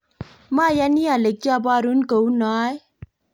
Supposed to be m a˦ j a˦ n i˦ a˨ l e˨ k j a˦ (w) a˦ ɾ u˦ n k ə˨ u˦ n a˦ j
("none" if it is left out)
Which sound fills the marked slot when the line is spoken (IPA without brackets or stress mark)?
b